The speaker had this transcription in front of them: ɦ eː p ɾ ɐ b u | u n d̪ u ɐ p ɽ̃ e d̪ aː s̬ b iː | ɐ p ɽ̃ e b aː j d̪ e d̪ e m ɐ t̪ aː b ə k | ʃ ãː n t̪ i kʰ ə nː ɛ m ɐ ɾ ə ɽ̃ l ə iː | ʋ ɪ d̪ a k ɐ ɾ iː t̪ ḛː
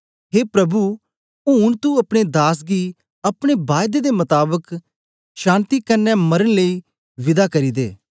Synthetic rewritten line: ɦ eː p ɾ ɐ b u | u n t̪ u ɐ p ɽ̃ e d̪ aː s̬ ɡ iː | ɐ p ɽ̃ e b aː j d̪ e d̪ e m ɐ t̪ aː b ə k | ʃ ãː n t̪ i k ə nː ɛ m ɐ ɾ ə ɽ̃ l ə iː | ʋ ɪ d̪ a k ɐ ɾ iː d̪ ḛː

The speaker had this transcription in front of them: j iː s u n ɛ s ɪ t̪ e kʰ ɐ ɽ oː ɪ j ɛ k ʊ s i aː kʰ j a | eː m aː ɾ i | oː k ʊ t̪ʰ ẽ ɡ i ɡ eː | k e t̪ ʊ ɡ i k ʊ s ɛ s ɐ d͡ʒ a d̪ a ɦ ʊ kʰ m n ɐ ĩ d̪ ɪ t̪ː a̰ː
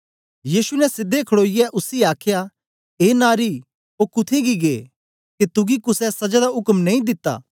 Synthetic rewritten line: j iː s u n ɛ s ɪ d̪ e kʰ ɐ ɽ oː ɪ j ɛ ʔ ʊ s i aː kʰ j a | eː n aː ɾ i | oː k ʊ t̪ʰ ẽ ɡ i ɡ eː | k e t̪ ʊ ɡ i k ʊ s ɛ s ɐ d͡ʒ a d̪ a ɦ ʊ k m n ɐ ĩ d̪ ɪ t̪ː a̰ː

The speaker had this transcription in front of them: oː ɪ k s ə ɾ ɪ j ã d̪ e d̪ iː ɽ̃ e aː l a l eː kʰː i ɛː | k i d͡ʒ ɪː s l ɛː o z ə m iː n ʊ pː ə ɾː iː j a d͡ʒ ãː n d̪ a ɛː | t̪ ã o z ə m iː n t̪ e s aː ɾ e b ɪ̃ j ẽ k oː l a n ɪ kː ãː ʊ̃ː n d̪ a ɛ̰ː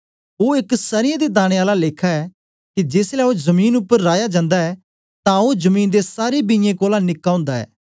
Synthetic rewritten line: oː ɪ k s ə ɾ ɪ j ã d̪ e d̪ aː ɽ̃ e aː l a l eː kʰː a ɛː | k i d͡ʒ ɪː s l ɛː o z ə m iː n ʊ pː ə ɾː aː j a d͡ʒ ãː n d̪ a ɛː | t̪ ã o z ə m iː n d̪ e s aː ɾ e b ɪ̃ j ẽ k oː l a n ɪ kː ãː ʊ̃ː n d̪ a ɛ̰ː

